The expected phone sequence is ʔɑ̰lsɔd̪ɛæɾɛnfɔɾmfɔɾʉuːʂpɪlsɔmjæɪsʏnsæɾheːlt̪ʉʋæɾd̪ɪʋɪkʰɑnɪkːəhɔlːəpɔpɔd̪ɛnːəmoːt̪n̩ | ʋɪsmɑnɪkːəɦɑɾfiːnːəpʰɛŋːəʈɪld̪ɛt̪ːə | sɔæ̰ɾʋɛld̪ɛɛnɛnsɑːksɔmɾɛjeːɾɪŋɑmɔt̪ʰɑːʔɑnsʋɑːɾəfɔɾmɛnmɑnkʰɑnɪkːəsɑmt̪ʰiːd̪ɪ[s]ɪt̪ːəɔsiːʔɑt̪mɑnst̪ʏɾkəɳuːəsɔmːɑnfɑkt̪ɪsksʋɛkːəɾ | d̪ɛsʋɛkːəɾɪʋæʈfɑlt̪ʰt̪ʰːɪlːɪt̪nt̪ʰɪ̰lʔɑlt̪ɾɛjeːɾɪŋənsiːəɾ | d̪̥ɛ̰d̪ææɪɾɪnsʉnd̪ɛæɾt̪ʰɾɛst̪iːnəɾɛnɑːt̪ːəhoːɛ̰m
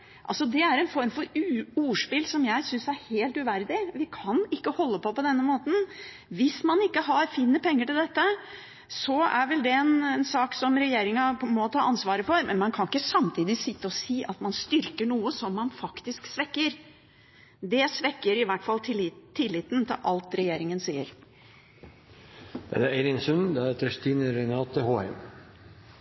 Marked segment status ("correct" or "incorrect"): correct